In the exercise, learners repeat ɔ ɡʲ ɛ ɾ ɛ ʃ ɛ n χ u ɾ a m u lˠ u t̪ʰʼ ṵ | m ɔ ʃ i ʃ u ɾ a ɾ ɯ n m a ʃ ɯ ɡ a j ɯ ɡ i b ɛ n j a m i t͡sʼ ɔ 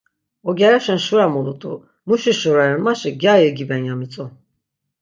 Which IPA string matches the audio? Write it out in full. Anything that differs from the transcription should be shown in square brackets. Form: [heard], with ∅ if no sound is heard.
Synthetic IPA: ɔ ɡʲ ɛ ɾ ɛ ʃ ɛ n [ʃ] u ɾ a m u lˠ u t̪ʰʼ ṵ | m [u] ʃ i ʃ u ɾ a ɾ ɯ n m a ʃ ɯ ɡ a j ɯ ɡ i b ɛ n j a m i t͡sʼ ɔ